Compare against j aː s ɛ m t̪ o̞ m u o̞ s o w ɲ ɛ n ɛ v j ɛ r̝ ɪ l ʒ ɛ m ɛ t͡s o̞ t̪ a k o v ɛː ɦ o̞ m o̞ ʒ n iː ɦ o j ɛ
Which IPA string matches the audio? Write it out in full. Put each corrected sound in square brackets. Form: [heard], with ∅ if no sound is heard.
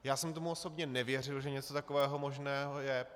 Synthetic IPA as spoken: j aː s ɛ m t̪ o̞ m u o̞ s o [b] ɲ ɛ n ɛ v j ɛ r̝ ɪ l ʒ ɛ [ɲ] ɛ t͡s o̞ t̪ a k o v ɛː ɦ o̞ m o̞ ʒ n [ɛː] ɦ o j ɛ